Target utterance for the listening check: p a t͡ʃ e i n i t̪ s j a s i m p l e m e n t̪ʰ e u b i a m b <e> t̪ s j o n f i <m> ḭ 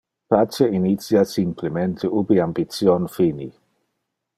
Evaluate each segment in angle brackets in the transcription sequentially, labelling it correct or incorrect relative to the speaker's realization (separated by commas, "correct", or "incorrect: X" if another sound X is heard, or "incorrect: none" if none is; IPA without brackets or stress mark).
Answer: incorrect: i, incorrect: n